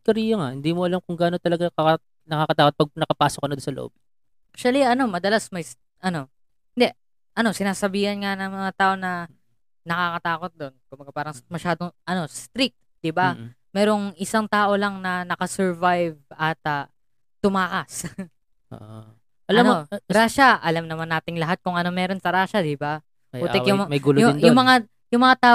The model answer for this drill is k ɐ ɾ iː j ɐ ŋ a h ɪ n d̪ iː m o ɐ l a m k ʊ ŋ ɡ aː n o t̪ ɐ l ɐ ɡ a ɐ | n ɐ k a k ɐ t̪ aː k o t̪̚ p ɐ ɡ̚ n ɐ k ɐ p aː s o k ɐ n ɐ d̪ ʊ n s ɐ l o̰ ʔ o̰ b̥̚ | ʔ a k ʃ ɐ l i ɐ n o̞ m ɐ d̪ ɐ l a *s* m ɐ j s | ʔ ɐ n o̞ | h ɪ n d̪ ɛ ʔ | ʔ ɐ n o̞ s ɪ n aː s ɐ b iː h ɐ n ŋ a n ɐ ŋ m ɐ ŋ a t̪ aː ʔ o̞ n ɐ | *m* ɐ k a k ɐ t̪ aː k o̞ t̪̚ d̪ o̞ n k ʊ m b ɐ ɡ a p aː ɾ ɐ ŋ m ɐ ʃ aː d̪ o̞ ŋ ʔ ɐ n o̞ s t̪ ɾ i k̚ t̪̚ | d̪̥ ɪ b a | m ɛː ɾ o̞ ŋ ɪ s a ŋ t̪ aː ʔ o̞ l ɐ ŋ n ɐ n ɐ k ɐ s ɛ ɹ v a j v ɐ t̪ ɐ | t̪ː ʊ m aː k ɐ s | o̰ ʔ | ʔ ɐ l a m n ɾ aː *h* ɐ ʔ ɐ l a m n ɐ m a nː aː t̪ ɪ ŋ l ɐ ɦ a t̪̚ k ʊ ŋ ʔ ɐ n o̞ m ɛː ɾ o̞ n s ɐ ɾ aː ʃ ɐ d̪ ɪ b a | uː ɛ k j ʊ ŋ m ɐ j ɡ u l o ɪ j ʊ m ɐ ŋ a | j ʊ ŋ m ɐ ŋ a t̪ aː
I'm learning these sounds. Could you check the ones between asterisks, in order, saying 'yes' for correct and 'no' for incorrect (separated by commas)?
yes, no, no